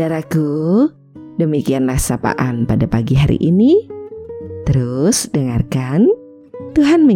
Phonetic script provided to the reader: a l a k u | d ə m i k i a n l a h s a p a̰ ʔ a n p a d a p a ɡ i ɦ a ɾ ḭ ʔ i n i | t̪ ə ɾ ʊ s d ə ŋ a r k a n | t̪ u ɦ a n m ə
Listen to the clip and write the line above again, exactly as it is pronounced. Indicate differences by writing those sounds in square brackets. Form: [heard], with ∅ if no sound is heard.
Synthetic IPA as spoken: a [ɾ] a k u | d ə m i k i a n l a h s a p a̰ ʔ a n p a d a p a ɡ i ɦ a ɾ ḭ ʔ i n i | t̪ ə ɾ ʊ s d ə ŋ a r k a n | t̪ u ɦ a n m ə